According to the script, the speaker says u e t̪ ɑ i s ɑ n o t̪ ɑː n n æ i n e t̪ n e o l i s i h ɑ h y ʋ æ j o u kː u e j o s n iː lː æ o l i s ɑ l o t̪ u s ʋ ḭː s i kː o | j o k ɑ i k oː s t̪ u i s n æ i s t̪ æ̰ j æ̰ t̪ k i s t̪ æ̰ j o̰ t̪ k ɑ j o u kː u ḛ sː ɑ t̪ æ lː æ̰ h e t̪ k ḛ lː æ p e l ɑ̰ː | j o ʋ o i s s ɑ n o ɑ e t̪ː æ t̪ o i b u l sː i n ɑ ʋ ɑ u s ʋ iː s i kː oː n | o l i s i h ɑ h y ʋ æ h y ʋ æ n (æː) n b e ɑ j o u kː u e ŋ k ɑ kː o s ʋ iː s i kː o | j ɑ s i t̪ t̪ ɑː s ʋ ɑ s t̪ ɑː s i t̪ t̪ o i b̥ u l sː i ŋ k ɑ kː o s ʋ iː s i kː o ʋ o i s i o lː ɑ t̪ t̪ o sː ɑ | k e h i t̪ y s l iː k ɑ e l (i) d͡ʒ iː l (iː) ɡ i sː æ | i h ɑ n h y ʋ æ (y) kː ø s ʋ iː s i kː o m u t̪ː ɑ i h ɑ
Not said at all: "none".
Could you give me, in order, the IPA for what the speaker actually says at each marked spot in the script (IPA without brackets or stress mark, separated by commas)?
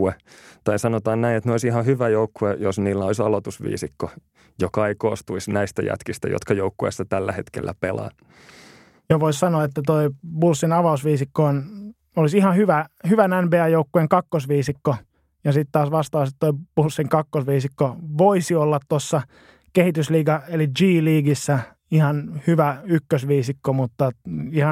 æ, i, iː, y